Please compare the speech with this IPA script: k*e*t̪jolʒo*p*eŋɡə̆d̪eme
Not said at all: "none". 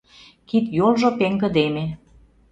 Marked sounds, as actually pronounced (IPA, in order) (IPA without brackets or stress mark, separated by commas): i, p